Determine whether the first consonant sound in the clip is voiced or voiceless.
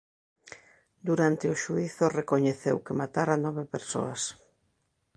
voiced